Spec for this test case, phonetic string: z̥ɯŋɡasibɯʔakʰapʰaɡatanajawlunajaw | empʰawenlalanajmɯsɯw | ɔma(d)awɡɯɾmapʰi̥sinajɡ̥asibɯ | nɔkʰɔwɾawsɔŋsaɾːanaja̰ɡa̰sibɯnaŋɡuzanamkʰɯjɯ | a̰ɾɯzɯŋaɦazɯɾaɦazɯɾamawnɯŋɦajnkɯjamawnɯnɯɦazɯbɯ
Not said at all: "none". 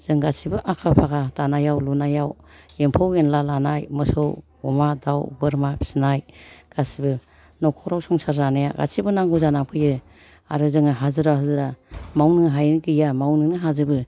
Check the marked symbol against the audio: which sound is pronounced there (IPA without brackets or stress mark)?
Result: d